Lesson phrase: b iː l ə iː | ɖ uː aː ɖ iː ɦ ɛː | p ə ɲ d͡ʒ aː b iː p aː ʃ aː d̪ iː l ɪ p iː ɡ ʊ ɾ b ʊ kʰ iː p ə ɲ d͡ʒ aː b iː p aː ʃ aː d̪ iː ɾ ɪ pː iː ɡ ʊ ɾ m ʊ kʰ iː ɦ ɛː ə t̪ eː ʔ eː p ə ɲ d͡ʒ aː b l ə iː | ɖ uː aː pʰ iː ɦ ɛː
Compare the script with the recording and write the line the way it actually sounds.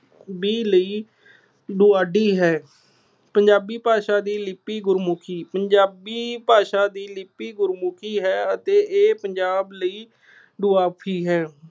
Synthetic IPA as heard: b iː l ə iː | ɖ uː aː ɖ iː ɦ ɛː | p ə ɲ d͡ʒ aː b iː p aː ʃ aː d̪ iː l ɪ p iː ɡ ʊ ɾ m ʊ kʰ iː p ə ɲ d͡ʒ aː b iː p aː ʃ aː d̪ iː l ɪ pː iː ɡ ʊ ɾ m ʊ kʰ iː ɦ ɛː ə t̪ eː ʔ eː p ə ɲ d͡ʒ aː b l ə iː | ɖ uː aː pʰ iː ɦ ɛː